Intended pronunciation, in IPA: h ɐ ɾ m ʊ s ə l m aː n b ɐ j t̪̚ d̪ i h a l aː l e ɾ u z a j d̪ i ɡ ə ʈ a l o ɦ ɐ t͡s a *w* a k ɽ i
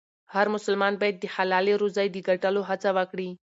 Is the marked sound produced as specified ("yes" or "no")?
no